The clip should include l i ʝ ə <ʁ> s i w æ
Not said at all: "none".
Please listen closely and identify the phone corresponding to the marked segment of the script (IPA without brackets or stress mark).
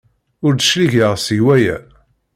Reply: ʁ